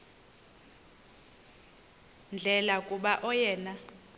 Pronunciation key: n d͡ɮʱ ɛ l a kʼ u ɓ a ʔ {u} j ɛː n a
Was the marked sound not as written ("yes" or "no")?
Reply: yes